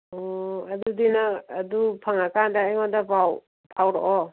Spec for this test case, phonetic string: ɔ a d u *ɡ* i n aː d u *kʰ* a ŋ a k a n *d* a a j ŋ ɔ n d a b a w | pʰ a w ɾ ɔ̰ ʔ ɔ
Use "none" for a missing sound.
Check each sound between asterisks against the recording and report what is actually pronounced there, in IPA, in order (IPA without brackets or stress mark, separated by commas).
d, pʰ, d